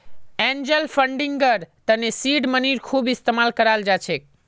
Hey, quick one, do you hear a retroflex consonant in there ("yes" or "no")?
yes